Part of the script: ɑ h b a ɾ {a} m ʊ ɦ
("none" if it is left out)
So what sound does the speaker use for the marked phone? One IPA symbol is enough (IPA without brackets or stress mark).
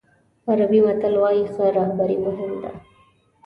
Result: i